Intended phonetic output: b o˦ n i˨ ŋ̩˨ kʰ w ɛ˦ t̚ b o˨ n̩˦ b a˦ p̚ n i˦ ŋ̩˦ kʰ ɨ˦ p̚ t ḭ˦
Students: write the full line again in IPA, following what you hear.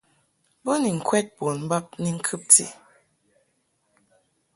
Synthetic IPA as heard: b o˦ n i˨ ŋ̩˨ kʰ w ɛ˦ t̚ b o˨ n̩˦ b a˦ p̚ n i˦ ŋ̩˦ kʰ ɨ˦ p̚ t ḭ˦